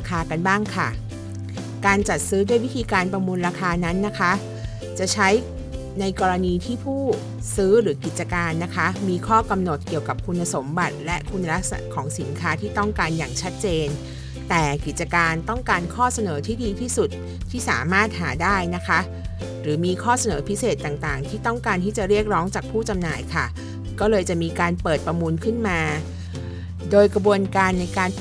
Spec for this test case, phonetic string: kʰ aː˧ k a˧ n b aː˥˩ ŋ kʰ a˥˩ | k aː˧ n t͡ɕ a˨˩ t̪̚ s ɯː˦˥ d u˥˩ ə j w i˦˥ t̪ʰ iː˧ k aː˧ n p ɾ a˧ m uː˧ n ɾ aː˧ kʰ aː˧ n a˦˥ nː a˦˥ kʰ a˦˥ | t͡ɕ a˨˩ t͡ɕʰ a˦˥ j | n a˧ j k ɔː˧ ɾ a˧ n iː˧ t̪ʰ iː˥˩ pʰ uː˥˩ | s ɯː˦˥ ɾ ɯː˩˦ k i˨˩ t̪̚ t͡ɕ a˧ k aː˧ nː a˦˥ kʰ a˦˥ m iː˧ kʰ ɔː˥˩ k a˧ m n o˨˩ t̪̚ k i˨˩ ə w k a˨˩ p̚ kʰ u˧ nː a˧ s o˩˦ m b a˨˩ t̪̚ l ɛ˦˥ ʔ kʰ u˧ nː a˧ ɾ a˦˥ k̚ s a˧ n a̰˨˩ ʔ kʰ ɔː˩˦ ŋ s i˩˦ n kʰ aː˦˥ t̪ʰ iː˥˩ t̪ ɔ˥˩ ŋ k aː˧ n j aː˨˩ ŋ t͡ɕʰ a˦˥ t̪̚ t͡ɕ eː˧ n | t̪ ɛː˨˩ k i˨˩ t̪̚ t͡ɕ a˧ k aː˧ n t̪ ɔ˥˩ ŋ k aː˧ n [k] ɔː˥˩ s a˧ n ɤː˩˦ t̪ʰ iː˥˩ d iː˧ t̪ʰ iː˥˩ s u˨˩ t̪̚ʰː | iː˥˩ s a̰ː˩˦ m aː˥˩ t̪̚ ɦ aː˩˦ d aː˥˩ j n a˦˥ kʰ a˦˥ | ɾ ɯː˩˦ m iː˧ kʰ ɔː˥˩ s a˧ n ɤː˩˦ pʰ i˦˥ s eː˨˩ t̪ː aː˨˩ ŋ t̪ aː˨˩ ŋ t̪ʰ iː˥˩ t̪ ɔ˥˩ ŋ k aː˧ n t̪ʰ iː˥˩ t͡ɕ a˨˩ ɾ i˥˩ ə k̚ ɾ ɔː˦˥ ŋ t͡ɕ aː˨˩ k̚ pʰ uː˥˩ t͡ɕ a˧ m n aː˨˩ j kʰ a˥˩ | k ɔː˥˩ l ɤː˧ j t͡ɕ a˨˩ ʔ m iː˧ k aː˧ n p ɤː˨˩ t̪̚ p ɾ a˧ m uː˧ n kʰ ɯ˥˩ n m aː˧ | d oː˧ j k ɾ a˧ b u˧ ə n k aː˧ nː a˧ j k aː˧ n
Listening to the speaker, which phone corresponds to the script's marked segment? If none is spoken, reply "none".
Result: kʰ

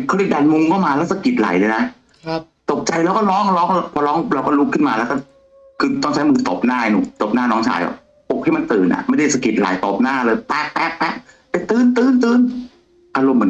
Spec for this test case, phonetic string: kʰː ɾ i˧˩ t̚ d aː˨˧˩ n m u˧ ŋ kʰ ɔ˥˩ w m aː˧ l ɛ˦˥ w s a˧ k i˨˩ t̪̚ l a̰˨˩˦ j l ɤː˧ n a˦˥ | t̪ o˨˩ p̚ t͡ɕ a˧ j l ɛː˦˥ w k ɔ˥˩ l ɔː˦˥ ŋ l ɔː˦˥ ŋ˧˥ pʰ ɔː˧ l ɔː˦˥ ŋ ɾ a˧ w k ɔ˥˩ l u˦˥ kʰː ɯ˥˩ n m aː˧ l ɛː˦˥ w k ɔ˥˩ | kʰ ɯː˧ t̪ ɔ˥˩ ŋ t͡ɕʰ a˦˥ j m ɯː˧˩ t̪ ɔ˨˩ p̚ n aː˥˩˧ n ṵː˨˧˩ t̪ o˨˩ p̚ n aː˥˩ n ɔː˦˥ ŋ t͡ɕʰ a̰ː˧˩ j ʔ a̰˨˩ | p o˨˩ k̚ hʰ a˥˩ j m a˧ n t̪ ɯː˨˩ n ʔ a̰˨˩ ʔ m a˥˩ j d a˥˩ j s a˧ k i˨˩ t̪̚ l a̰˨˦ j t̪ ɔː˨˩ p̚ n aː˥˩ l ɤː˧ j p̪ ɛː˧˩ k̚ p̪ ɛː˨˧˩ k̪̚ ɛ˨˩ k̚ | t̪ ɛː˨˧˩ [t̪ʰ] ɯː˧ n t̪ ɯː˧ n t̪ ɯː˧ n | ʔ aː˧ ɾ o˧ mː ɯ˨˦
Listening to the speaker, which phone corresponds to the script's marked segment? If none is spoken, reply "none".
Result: t̪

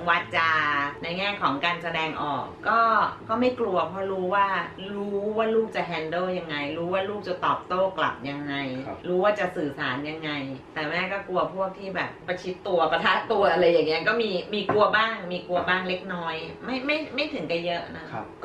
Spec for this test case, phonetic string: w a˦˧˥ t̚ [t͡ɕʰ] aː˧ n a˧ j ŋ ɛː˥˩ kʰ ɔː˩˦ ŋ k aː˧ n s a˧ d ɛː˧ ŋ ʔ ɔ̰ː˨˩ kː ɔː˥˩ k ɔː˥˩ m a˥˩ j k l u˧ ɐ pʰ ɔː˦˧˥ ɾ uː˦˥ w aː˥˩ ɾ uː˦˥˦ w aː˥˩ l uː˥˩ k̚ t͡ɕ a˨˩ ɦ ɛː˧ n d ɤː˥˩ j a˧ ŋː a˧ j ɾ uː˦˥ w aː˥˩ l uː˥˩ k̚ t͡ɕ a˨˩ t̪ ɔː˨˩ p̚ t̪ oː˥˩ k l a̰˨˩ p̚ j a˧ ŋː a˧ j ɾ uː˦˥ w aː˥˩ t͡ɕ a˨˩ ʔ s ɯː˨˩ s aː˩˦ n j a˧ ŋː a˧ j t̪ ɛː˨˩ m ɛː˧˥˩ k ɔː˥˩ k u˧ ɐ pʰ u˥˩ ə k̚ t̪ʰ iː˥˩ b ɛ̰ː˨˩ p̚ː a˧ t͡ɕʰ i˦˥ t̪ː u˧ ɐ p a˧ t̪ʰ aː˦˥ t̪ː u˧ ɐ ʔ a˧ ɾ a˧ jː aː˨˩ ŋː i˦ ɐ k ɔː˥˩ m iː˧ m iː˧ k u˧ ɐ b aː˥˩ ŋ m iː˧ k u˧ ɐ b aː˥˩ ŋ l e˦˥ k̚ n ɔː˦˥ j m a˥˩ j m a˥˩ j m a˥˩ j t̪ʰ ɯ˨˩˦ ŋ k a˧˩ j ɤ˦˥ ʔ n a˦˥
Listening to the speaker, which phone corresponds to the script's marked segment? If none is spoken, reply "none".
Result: t͡ɕ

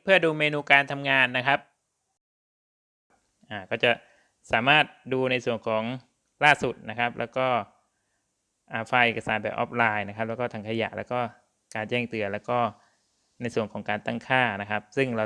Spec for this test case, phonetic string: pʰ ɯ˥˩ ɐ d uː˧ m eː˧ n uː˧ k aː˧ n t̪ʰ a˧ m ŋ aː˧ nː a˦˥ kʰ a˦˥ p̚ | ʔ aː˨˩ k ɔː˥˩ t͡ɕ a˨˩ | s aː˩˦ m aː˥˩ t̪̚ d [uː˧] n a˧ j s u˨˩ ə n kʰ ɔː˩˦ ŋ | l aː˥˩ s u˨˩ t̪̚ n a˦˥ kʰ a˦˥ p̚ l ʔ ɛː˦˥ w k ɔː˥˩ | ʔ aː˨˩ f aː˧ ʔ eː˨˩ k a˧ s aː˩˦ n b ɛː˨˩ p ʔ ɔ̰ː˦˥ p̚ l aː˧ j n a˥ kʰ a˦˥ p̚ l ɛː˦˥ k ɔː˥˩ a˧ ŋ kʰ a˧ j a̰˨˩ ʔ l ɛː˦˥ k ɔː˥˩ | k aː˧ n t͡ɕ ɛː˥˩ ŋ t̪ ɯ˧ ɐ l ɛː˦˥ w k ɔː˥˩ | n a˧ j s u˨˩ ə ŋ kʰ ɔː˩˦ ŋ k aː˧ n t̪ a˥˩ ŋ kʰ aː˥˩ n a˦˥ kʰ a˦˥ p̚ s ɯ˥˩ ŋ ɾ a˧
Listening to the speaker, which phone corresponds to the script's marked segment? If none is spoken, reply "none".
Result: uː˧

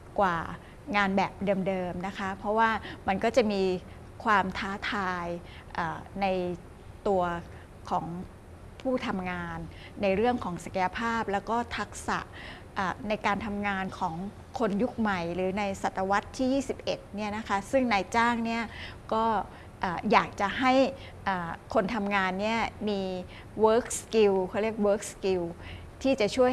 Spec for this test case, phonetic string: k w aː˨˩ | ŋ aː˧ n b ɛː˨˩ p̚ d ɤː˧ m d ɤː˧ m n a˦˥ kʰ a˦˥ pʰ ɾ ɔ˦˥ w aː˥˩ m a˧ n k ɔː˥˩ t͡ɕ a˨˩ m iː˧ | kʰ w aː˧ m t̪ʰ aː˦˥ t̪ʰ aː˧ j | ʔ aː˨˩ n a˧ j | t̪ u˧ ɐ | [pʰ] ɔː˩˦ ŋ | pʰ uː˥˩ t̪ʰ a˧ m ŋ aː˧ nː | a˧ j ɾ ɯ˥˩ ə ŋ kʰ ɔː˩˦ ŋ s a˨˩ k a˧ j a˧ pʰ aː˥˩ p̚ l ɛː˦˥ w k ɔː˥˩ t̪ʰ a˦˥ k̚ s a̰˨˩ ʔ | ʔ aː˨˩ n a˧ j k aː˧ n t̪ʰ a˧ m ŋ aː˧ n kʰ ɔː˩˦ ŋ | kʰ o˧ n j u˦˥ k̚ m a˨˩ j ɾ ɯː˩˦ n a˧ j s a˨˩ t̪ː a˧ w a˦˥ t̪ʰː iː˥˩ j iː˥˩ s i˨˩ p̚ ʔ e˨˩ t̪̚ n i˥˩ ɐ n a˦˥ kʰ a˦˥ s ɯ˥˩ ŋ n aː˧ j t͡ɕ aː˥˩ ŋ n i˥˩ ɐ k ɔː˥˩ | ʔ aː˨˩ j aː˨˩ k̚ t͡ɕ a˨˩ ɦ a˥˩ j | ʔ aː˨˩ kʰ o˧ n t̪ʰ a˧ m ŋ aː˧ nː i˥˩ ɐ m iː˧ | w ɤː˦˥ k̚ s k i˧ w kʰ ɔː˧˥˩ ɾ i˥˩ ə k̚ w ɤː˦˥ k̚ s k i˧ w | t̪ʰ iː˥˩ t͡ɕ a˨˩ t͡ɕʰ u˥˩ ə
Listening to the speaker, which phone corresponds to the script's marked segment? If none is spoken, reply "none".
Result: kʰ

